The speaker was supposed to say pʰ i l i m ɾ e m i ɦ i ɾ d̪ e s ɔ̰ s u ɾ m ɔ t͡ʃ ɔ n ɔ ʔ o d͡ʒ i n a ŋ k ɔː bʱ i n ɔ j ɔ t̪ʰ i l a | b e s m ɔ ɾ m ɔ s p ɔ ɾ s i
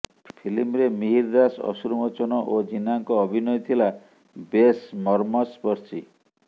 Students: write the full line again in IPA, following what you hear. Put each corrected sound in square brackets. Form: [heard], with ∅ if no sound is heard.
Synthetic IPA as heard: pʰ i l i m ɾ e m i ɦ i ɾ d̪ [a] s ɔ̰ s u ɾ m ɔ t͡ʃ ɔ n ɔ ʔ o d͡ʒ i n a ŋ k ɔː bʱ i n ɔ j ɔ t̪ʰ i l a | b e s m ɔ ɾ m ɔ s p ɔ ɾ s i

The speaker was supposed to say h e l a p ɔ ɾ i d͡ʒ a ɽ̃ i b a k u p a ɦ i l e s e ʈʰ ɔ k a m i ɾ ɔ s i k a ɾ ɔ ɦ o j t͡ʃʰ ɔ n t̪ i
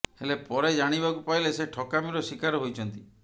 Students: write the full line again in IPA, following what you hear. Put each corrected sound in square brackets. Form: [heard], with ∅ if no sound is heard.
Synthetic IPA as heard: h e l [e] p ɔ ɾ [e] d͡ʒ a ɽ̃ i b a k u p a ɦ i l e s e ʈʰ ɔ k a m i ɾ ɔ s i k a ɾ ɔ ɦ o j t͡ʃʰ ɔ n t̪ i

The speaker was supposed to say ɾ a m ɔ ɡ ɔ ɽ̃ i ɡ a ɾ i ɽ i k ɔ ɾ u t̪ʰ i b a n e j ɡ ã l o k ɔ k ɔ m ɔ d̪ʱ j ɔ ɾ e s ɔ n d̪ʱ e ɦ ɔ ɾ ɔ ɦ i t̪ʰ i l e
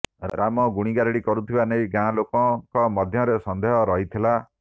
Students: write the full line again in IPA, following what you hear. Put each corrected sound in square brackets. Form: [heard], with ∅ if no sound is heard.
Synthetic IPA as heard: ɾ a m ɔ ɡ [u] ɽ̃ i ɡ a ɾ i ɽ i k ɔ ɾ u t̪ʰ i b a n e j ɡ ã l o k ɔ k ɔ m ɔ d̪ʱ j ɔ ɾ e s ɔ n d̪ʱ e ɦ ɔ ɾ ɔ ɦ i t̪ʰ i l [a]

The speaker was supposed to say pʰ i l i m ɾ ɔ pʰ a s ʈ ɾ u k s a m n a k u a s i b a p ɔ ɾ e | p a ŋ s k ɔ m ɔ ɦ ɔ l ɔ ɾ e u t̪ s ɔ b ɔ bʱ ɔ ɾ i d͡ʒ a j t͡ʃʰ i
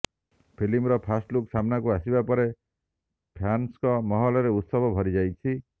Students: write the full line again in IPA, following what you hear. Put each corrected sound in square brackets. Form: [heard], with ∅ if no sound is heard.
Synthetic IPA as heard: pʰ i l i m ɾ ɔ pʰ a s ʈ [l] u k s a m n a k u a s i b a p ɔ ɾ e | [pʰ] a [n] s k ɔ m ɔ ɦ ɔ l ɔ ɾ e u t̪ s ɔ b ɔ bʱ ɔ ɾ i d͡ʒ a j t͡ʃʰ i

